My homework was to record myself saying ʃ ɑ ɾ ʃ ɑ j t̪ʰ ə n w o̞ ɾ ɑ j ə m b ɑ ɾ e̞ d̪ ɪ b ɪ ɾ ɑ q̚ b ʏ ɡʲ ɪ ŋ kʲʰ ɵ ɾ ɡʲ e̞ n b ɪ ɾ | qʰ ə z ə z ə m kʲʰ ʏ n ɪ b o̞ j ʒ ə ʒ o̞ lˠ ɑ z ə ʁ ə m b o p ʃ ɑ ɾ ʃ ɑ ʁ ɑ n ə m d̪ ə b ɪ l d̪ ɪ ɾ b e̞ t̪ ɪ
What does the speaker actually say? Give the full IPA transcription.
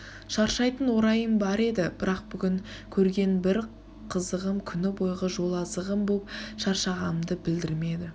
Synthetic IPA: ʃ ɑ ɾ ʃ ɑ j t̪ ə n w o̞ ɾ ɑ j ə m b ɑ ɾ e̞ d̪ ɪ b ɪ ɾ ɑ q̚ b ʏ ɡʲ ɪ ŋ kʲʰ ɵ ɾ ɡʲ e̞ n b ɪ ɾ | qʰ ə z ə ʁ ə m kʲʰ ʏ n ɪ b o̞ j ʁ ə ʒ o̞ lˠ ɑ z ə ʁ ə m b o p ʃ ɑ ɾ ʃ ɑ ʁ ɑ n ə m d̪ ə b ɪ l d̪ ɪ ɾ m e̞ d̪ ɪ